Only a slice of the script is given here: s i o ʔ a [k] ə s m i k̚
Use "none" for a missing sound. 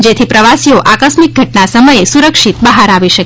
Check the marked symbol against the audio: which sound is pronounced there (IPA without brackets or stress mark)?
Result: k